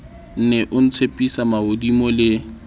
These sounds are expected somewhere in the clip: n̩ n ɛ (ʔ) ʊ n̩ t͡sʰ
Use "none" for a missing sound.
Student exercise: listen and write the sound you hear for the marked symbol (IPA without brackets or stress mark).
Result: ʔ